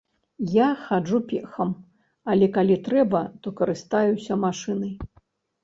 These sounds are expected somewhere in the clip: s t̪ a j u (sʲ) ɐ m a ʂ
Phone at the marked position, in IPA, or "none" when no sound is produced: sʲ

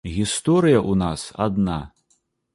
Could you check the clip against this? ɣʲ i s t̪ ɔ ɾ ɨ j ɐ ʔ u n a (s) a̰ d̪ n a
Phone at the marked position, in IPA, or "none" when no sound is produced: s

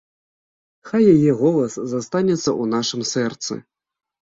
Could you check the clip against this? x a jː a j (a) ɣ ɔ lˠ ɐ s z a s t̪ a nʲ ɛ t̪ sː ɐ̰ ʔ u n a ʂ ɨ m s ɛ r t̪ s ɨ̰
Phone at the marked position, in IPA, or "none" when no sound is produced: ɛ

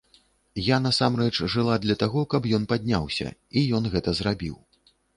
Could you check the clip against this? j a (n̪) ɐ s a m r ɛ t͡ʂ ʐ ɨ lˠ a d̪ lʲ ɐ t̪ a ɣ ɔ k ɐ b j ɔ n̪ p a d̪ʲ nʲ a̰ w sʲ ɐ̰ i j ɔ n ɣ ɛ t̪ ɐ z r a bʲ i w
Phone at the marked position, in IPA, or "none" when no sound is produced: n̪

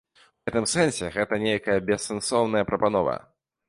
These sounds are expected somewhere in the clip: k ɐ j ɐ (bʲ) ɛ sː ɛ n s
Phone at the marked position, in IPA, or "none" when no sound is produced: bʲ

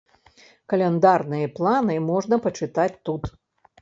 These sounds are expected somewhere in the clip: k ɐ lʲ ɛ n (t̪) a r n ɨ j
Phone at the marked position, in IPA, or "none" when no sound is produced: d̪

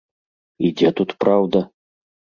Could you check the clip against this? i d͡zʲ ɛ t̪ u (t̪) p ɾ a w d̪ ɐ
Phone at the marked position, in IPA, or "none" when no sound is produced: t̪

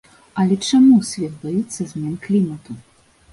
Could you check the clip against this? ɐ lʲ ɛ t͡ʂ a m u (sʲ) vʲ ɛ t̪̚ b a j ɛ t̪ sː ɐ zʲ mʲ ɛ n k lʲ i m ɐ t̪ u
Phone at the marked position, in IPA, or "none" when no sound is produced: sʲ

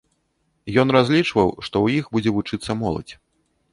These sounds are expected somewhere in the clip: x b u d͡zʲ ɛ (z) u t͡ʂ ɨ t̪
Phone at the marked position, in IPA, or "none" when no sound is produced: v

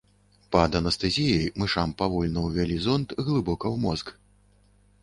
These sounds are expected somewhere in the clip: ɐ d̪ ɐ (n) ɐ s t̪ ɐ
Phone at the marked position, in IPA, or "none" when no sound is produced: n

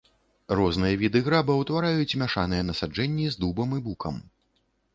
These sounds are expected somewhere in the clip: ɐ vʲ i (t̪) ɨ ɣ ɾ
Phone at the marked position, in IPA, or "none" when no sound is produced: d̪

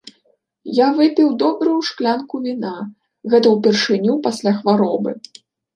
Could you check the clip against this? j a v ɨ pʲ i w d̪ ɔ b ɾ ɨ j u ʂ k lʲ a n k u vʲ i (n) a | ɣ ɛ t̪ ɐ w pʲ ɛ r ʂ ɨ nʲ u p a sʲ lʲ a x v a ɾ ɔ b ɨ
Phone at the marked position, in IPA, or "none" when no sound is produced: n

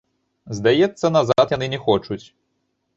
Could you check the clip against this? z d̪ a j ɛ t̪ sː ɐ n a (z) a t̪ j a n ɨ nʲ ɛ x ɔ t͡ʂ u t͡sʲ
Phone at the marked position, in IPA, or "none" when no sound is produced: z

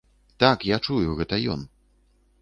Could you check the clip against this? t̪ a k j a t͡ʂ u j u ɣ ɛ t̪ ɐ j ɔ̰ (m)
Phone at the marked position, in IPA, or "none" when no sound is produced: n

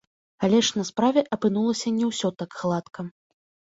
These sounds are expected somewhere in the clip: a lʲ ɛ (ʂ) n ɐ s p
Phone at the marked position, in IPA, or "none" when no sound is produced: ʂ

